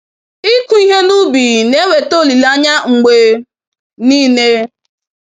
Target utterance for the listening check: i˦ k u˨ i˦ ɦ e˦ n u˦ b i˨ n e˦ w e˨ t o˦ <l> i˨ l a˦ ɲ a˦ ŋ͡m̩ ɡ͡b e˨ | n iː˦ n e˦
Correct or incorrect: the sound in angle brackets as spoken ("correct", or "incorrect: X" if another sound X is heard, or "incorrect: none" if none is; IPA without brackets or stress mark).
correct